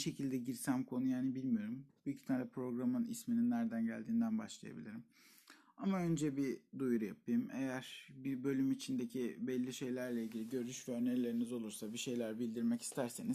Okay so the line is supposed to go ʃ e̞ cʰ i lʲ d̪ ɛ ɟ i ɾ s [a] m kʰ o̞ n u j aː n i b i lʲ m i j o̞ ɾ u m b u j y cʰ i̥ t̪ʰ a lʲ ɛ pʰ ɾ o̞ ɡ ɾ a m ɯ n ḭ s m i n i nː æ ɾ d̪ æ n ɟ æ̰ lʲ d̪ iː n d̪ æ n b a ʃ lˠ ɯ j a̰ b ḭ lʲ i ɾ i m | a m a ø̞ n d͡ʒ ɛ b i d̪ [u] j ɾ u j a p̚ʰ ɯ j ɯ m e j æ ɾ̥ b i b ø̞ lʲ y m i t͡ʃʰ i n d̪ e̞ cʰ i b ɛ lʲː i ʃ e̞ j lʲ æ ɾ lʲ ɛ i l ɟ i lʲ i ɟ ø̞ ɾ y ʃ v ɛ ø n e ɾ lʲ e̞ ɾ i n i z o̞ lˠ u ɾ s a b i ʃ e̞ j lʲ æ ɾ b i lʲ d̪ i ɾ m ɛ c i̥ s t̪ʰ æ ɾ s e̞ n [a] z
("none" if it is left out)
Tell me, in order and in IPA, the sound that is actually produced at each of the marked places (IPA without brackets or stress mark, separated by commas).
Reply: æ, u, i